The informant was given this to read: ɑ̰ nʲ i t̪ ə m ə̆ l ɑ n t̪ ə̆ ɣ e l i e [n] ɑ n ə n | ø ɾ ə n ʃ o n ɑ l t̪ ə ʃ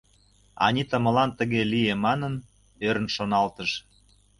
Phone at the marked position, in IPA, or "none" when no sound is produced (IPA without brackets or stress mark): m